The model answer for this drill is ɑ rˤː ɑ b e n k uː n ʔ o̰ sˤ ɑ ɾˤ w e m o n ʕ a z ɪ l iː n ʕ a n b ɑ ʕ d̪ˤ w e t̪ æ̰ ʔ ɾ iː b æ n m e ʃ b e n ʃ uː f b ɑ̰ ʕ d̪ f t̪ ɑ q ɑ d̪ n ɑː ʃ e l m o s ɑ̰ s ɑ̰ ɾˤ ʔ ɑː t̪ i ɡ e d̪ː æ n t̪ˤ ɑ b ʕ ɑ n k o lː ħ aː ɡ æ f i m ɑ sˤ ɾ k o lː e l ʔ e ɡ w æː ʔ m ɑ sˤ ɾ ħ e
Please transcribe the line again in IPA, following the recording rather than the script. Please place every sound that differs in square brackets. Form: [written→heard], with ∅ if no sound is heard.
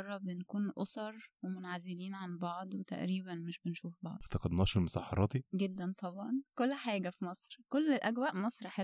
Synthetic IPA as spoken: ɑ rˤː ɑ b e n k uː n ʔ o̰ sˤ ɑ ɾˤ w e m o n ʕ a z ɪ l iː n ʕ a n b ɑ ʕ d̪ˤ w e t̪ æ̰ ʔ ɾ iː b æ n m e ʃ b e n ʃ uː f b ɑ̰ ʕ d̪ f t̪ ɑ q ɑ d̪ n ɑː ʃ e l m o s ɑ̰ [s→ħ] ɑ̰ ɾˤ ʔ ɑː t̪ i ɡ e d̪ː æ n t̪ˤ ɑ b ʕ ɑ n k o lː ħ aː ɡ æ f i m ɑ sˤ ɾ k o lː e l ʔ [e→æ] ɡ w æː ʔ m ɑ sˤ ɾ ħ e